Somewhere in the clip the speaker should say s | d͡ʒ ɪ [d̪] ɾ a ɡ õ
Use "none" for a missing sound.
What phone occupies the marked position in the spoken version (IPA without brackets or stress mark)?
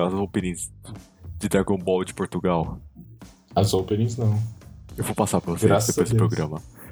d̪